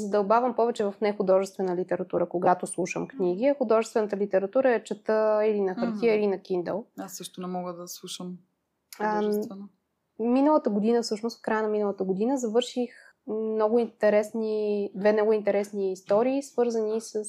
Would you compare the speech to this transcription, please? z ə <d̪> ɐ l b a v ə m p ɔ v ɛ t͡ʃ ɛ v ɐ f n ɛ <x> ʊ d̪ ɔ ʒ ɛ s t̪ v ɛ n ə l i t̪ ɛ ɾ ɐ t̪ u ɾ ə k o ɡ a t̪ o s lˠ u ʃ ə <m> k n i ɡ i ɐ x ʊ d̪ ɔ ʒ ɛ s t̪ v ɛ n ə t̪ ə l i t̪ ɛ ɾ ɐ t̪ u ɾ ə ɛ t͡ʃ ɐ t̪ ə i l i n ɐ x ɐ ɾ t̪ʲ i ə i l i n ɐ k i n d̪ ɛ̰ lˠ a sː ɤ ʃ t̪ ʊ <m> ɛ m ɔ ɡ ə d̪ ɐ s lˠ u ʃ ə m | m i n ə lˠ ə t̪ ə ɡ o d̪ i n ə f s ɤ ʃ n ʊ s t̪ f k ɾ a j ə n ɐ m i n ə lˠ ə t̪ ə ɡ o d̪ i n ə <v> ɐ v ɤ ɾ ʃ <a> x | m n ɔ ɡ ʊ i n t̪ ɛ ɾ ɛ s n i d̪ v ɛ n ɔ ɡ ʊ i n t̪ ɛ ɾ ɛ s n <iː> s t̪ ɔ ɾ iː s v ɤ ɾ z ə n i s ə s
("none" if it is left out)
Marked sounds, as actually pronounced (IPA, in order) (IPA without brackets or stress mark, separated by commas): d̪, x, m, n, z, i, iː